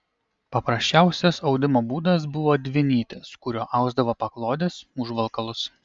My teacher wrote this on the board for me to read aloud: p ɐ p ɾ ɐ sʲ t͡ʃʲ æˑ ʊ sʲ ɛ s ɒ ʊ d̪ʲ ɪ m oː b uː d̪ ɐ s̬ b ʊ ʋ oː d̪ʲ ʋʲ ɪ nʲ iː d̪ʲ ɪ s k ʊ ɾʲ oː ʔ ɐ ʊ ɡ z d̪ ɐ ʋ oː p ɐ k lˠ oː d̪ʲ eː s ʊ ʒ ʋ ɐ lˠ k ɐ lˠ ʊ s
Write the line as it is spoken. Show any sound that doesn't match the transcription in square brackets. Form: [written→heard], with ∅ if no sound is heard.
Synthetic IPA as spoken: p ɐ p ɾ ɐ sʲ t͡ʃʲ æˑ ʊ sʲ ɛ s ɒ ʊ d̪ʲ ɪ m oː b uː d̪ ɐ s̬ b ʊ ʋ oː d̪ʲ ʋʲ ɪ nʲ iː [d̪ʲ→t̪ʲ] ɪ s k ʊ ɾʲ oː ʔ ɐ ʊ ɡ z d̪ ɐ ʋ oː p ɐ k lˠ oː d̪ʲ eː s ʊ ʒ ʋ ɐ lˠ k ɐ lˠ ʊ s